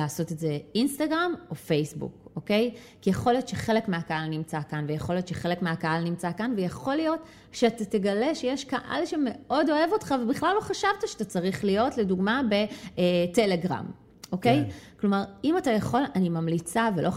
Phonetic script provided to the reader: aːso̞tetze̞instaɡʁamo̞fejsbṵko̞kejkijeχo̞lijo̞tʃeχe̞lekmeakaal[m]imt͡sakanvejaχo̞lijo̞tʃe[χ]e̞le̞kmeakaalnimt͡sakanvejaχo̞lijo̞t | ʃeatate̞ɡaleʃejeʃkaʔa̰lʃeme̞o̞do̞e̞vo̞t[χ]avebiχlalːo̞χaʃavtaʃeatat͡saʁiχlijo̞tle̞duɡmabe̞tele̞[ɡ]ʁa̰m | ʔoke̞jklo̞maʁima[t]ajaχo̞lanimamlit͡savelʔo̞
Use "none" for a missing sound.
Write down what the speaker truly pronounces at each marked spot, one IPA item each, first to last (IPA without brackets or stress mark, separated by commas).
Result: n, χ, χ, ɡ, t